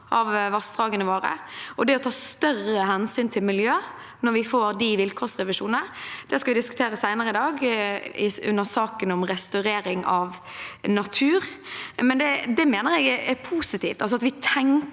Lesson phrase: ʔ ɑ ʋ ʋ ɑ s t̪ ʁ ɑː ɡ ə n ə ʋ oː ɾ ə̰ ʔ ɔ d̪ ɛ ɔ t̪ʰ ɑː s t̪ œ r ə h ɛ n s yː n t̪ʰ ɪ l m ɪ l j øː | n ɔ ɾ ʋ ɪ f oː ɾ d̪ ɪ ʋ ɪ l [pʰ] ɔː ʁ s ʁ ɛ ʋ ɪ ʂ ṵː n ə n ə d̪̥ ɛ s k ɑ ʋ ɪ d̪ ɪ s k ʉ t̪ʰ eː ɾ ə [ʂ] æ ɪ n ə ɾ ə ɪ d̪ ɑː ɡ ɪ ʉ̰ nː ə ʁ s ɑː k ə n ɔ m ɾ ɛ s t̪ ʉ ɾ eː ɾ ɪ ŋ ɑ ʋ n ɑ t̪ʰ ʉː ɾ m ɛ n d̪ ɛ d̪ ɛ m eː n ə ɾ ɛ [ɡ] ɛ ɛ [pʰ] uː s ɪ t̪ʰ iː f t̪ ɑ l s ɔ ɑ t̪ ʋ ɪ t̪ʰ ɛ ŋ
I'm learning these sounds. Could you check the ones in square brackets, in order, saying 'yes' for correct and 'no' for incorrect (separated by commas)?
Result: no, no, yes, yes